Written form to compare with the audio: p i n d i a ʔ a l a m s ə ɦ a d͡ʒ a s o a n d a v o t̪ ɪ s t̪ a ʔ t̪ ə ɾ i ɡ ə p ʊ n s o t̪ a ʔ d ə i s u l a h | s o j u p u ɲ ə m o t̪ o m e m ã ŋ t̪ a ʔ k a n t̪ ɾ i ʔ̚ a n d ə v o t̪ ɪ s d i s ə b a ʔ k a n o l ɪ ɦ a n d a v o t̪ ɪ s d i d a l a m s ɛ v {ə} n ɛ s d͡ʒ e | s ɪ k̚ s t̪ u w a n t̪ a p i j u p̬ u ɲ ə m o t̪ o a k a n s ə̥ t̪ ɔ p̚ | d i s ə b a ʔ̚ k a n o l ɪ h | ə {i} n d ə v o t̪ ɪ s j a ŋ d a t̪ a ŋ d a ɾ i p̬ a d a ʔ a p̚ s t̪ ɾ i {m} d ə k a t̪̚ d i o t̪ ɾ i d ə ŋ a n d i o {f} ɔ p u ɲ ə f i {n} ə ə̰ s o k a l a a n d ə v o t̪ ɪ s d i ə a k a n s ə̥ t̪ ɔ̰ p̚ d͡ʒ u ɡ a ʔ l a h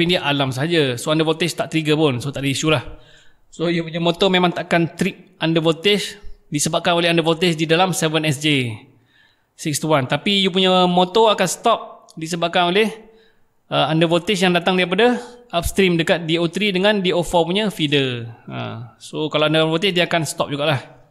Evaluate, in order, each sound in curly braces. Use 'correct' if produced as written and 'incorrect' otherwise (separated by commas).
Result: correct, incorrect, correct, correct, incorrect